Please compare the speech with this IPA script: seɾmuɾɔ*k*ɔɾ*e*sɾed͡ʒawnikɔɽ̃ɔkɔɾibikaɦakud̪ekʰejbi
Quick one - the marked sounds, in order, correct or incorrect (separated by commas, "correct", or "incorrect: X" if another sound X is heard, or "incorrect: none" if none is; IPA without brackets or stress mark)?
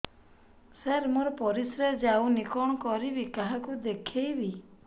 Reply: incorrect: p, incorrect: i